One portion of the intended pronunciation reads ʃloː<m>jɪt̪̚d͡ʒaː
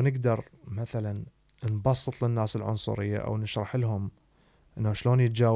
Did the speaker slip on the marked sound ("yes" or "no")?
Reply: yes